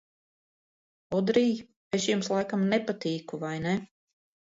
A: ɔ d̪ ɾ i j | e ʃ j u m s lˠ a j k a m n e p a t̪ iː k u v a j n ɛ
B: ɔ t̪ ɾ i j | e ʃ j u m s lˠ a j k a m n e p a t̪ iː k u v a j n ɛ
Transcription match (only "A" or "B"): A